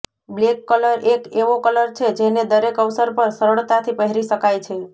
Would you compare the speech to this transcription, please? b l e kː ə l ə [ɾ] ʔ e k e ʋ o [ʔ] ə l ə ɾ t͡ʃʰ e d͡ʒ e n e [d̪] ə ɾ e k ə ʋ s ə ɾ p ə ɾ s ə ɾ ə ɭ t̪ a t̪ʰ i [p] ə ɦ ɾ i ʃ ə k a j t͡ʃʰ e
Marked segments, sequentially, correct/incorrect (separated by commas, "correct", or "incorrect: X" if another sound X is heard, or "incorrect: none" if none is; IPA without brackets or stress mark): correct, incorrect: k, correct, correct